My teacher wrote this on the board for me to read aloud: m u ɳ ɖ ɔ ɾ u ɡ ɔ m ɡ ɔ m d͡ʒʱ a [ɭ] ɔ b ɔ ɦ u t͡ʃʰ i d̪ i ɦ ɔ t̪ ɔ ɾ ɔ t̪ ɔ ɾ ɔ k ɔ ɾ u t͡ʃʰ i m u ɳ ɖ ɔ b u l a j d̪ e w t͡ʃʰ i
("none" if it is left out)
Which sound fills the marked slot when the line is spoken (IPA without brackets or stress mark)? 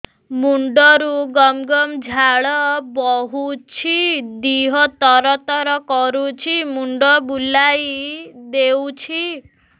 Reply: ɭ